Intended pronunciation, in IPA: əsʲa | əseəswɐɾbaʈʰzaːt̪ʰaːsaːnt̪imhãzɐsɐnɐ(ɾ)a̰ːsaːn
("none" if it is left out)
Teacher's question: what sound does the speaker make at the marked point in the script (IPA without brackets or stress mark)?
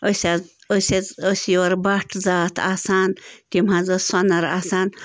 ɾ